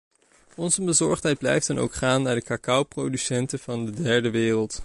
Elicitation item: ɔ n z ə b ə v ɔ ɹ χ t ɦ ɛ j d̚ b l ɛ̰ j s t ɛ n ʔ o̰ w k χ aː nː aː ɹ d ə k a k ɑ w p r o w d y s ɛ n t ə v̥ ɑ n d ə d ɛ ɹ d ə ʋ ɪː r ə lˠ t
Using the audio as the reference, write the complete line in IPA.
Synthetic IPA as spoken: ɔ n z ə b ə z ɔ ɹ χ t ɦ ɛ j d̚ b l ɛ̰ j f t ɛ n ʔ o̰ w k χ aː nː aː ɹ d ə k a k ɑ w p r o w d y s ɛ n t ə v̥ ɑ n d ə d ɛ ɹ d ə ʋ ɪː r ə lˠ t